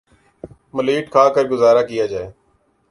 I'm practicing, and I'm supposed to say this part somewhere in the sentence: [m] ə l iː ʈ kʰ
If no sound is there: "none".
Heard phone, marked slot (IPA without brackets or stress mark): m